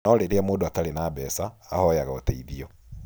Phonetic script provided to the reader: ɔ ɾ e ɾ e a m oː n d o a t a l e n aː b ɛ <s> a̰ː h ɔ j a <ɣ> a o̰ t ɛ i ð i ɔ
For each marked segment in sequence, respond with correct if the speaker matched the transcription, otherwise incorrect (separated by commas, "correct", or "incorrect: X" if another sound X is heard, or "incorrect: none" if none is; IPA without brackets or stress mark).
correct, correct